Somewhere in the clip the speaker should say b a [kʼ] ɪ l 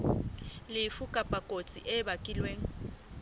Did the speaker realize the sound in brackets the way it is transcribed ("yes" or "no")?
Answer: yes